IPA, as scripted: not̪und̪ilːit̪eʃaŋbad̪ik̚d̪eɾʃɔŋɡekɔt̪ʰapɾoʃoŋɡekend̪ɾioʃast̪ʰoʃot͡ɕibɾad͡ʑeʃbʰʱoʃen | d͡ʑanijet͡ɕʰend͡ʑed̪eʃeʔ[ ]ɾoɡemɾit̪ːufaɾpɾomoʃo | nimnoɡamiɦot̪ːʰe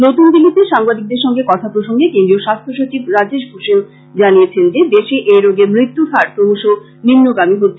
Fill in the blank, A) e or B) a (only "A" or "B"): A